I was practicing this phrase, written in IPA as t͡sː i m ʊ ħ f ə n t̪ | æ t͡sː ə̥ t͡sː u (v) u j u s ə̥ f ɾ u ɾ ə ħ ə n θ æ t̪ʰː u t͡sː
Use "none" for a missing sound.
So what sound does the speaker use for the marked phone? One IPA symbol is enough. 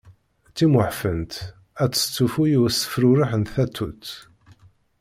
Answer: f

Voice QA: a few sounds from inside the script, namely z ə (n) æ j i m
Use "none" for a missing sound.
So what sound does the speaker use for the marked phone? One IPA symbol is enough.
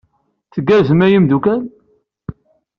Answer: m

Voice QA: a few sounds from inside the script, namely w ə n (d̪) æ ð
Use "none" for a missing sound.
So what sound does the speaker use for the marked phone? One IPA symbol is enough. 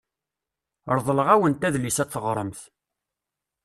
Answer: t̪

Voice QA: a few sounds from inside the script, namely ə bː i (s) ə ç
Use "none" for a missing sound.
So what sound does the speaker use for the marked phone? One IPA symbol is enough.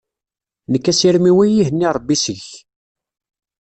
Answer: s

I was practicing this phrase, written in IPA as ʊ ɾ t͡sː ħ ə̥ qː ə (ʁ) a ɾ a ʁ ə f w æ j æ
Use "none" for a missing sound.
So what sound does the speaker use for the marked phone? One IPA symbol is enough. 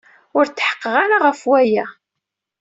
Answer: ʁ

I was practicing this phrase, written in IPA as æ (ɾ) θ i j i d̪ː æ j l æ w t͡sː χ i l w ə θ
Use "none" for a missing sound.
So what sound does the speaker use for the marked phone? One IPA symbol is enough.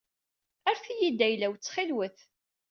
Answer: ɾ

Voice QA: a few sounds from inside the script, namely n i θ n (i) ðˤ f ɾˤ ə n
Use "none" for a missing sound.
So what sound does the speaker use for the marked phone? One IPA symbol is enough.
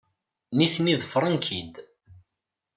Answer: i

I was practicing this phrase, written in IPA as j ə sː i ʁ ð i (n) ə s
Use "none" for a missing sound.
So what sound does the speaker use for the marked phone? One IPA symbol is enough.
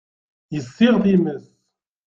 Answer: m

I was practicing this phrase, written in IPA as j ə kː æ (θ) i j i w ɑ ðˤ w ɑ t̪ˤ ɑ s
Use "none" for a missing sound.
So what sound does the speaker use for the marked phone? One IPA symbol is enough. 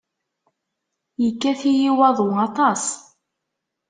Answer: θ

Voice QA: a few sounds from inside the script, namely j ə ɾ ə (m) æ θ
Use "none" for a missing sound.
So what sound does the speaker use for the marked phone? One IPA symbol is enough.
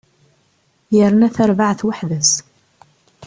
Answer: n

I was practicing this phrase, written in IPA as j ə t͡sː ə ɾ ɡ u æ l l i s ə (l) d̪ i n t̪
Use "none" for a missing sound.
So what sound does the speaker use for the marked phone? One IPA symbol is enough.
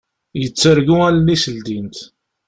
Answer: l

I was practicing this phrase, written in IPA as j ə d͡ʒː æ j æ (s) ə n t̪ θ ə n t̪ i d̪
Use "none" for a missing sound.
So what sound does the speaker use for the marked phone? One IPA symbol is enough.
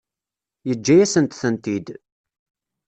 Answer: s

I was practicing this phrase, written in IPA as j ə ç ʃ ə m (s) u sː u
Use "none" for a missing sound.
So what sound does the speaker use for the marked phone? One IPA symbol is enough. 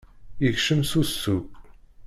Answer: s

